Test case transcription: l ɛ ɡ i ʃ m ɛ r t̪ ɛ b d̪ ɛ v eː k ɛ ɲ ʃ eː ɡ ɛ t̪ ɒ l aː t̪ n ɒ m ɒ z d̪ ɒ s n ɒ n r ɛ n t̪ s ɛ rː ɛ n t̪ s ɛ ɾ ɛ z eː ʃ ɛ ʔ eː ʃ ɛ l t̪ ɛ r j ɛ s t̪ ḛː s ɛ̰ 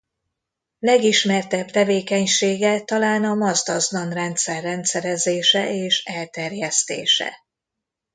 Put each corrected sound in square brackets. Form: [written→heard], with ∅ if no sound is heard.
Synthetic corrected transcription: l ɛ ɡ i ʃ m ɛ r t̪ ɛ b [d̪→t̪] ɛ v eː k ɛ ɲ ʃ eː ɡ ɛ t̪ ɒ l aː [t̪→∅] n ɒ m ɒ z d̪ ɒ [s→z] n ɒ n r ɛ n t̪ s ɛ rː ɛ n t̪ s ɛ ɾ ɛ z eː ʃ ɛ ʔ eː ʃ ɛ l t̪ ɛ r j ɛ s t̪ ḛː [s→ʃ] ɛ̰